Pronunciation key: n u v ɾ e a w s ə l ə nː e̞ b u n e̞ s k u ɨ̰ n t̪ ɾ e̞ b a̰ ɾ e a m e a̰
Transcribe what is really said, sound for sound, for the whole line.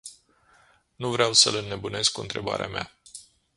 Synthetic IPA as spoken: n u v ɾ e a w s ə l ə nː e̞ b u n e̞ s k u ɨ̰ n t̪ ɾ e̞ b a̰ ɾ e a m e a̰